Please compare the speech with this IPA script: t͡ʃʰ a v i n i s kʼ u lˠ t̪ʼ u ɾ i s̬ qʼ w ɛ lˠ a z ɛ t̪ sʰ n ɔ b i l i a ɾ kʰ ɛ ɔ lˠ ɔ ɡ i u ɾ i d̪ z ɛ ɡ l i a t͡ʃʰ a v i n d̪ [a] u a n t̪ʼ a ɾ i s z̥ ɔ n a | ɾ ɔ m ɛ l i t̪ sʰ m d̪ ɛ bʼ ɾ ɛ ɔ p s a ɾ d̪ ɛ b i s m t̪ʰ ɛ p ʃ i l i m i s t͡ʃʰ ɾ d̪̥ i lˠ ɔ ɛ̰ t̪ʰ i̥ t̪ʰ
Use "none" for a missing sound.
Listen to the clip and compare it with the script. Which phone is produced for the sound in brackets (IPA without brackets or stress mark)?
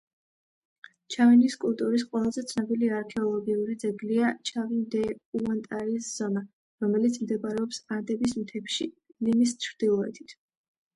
ɛ